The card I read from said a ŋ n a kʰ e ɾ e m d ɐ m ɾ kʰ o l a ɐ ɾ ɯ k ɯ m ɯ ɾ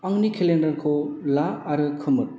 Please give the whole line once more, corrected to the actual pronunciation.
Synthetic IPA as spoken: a ŋ n i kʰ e l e n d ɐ ɾ kʰ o l a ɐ ɾ ɯ kʰ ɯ m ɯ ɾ